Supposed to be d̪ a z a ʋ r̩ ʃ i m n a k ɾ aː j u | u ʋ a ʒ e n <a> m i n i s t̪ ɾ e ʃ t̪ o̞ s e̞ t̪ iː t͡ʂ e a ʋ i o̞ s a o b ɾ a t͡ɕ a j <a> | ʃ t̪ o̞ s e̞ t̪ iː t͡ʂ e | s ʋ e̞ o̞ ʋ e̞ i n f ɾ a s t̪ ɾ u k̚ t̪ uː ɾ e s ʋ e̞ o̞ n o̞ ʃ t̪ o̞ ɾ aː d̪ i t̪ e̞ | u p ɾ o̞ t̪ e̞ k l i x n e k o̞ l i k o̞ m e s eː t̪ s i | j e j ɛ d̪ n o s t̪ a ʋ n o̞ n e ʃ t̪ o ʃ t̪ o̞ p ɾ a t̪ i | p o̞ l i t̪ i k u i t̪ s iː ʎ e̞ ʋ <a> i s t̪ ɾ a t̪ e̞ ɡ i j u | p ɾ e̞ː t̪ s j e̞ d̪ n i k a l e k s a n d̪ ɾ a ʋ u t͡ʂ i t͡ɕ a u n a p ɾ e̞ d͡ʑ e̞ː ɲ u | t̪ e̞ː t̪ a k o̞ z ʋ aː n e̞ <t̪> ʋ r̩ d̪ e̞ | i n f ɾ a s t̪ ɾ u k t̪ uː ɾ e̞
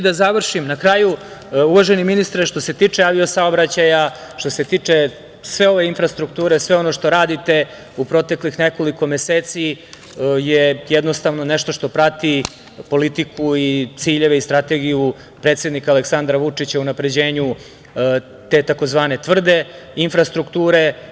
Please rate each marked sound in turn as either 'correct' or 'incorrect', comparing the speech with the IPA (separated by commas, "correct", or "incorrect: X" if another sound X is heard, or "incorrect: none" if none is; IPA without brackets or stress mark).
incorrect: i, correct, incorrect: e, correct